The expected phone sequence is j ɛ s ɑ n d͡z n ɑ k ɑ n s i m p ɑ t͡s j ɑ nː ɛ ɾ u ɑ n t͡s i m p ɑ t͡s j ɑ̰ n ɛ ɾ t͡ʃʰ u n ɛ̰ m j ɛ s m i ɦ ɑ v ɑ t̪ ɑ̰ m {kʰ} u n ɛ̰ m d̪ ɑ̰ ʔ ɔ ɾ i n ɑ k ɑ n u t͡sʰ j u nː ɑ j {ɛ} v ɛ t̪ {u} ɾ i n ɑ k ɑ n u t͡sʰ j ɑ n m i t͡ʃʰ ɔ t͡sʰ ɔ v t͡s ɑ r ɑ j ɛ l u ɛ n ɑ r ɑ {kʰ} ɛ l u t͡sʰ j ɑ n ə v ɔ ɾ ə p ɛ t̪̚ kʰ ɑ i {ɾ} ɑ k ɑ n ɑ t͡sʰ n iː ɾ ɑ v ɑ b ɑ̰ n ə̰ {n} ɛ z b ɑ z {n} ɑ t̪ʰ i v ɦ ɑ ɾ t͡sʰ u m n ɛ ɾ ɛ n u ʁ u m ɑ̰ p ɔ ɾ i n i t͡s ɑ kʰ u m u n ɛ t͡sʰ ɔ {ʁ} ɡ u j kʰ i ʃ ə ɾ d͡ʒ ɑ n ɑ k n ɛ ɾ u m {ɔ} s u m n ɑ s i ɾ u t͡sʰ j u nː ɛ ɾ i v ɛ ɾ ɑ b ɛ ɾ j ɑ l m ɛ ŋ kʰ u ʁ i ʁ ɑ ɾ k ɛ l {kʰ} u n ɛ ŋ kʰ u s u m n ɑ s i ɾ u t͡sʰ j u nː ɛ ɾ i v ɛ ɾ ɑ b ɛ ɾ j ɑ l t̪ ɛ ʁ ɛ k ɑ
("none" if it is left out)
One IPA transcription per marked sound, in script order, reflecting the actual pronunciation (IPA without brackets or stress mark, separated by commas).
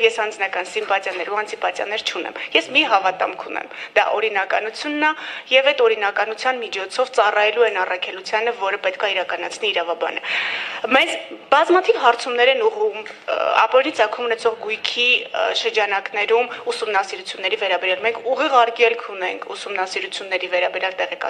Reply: kʰ, ɛ, ɔ, kʰ, ɾ, m, m, ʁ, u, kʰ